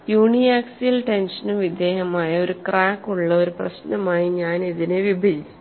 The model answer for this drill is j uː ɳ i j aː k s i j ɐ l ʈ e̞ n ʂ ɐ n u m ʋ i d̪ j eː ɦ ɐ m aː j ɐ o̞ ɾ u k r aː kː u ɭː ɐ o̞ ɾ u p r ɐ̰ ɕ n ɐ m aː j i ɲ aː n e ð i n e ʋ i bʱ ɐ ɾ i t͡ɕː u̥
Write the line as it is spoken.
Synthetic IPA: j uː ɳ i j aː k s i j ɐ l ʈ e̞ n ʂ ɐ n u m ʋ i d̪ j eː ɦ ɐ m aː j ɐ o̞ ɾ u k r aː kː u ɭː ɐ o̞ ɾ u p r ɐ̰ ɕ n ɐ m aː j i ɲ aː n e ð i n e ʋ i bʱ ɐ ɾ i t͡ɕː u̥